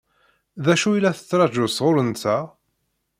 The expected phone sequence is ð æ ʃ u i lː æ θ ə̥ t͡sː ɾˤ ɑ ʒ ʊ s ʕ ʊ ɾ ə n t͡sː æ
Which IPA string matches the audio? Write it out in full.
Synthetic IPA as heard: ð æ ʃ u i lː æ θ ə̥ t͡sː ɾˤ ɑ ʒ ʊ s ʁ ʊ ɾ ə n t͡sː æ